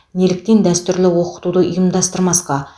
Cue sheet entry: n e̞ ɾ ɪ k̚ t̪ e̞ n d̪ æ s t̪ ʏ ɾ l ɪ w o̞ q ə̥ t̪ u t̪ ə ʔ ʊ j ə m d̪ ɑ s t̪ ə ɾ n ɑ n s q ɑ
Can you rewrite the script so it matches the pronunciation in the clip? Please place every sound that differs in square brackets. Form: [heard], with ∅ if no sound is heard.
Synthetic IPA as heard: n e̞ [l] ɪ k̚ t̪ e̞ n d̪ æ s t̪ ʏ ɾ l ɪ w o̞ q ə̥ t̪ u [d̪] ə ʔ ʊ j ə m d̪ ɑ s t̪ ə ɾ [m] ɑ [∅] s q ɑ